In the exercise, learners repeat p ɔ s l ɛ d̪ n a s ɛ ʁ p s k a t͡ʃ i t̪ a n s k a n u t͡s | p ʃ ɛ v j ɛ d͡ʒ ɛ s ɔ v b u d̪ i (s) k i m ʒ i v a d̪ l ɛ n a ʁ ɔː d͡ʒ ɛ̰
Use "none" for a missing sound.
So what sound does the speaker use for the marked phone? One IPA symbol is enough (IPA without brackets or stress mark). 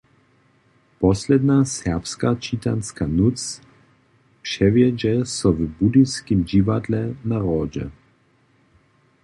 s